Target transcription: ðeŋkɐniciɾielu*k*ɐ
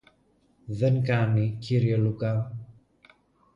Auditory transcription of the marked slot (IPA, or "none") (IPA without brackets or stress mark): k